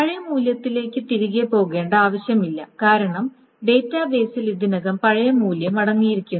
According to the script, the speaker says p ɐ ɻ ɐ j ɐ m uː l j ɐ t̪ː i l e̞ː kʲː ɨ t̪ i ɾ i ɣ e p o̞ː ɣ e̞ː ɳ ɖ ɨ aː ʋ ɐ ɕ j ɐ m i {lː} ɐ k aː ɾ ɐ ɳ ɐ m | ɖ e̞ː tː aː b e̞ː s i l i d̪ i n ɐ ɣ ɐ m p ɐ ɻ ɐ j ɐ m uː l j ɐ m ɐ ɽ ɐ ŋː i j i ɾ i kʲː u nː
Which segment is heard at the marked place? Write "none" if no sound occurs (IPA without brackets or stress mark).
lː